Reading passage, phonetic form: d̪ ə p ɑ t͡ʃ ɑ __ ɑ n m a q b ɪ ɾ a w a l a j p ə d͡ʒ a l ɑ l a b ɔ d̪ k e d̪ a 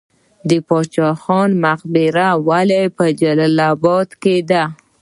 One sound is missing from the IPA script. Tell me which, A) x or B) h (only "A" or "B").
A